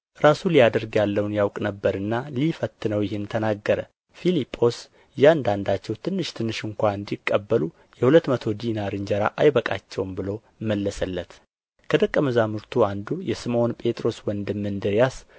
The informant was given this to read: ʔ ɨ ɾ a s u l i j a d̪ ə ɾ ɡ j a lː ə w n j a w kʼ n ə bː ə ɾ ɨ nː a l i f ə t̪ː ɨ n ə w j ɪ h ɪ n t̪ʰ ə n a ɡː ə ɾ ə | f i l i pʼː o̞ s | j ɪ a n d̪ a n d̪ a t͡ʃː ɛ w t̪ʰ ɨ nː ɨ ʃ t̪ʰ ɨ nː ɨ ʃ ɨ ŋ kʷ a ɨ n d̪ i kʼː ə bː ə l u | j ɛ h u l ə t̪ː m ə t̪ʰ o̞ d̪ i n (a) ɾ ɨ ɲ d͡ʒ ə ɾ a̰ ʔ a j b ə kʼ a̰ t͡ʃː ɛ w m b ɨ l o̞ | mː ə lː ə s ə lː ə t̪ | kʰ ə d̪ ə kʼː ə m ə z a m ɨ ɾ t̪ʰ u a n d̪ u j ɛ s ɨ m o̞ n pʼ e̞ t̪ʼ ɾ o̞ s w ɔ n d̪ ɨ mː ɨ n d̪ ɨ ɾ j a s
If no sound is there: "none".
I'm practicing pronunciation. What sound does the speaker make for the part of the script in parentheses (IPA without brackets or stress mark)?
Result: a